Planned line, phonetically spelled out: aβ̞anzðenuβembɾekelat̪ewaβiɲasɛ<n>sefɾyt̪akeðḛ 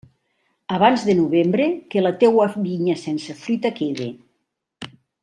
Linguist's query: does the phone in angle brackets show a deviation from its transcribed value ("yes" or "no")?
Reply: no